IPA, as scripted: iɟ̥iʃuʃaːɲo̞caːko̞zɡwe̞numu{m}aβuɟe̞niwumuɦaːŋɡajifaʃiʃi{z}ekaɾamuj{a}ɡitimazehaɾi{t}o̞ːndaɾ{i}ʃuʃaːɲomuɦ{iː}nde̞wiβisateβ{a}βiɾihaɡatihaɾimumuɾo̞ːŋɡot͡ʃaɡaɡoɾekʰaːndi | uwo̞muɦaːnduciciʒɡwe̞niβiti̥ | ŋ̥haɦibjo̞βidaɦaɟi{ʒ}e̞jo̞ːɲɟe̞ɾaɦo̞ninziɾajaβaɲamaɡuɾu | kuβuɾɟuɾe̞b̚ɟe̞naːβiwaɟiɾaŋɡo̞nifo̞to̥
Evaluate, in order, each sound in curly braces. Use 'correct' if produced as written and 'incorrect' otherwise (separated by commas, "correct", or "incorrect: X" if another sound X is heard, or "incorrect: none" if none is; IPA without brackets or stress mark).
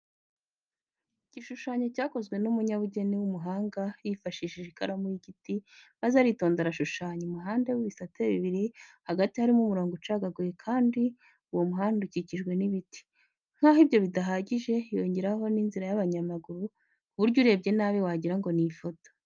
incorrect: ɲ, incorrect: ʒ, incorrect: i, correct, incorrect: a, incorrect: aː, incorrect: i, correct